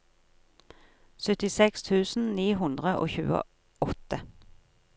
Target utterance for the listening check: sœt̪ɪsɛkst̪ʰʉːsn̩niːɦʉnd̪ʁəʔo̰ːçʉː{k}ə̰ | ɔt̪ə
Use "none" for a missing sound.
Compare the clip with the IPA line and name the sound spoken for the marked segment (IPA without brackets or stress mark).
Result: none